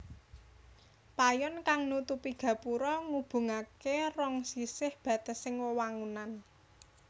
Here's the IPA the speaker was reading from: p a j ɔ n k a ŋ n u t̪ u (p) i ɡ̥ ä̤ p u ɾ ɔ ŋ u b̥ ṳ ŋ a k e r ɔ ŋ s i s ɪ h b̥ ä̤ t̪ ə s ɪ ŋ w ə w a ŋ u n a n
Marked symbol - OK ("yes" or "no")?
yes